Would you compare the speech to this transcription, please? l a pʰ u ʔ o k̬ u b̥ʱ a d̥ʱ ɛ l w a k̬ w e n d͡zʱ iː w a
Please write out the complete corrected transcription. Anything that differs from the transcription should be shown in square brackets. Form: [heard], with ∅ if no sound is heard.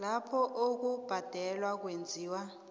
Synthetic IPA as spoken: l a pʰ [ɔ] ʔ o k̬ u b̥ʱ a d̥ʱ ɛ l w a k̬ w e n d͡zʱ iː w a